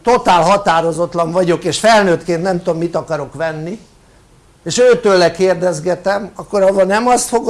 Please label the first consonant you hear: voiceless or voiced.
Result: voiceless